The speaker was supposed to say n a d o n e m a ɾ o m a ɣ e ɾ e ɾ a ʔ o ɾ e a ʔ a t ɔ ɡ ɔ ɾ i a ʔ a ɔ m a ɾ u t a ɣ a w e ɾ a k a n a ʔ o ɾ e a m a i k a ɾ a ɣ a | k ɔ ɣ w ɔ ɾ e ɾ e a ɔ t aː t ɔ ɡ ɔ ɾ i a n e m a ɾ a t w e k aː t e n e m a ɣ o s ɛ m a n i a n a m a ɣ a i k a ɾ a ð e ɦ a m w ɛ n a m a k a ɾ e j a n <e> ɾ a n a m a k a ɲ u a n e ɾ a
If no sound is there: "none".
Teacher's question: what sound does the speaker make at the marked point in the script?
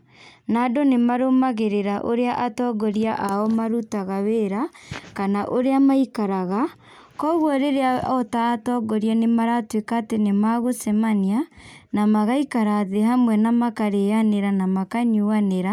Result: e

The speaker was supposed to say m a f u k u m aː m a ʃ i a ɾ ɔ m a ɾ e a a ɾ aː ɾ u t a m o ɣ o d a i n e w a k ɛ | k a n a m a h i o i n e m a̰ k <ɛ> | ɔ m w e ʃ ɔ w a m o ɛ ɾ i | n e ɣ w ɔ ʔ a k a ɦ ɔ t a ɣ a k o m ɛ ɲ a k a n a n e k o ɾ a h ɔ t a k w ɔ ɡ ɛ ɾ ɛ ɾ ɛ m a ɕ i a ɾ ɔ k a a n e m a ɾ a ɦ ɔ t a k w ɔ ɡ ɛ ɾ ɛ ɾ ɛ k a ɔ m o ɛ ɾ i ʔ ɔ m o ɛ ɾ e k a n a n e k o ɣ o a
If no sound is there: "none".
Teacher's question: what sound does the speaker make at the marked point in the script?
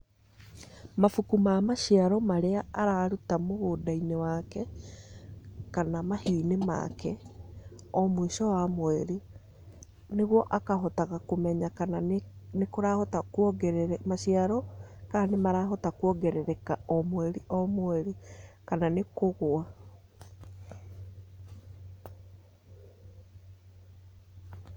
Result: ɛ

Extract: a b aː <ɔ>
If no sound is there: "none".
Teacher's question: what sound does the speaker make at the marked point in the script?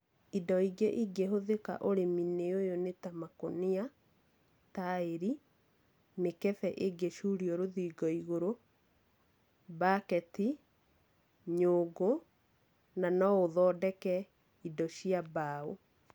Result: o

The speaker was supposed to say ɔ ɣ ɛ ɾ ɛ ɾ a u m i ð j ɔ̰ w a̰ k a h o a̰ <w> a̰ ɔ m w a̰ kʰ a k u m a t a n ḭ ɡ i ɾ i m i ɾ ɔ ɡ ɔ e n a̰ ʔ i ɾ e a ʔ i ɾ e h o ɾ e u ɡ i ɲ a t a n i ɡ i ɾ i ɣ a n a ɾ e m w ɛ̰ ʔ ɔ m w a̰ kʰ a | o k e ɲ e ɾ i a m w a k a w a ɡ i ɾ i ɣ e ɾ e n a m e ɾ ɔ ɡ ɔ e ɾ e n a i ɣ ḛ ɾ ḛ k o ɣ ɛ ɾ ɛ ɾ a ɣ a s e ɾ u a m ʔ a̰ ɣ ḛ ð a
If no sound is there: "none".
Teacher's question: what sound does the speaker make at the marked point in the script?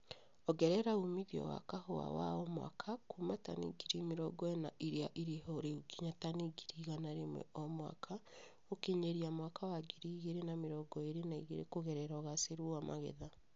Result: w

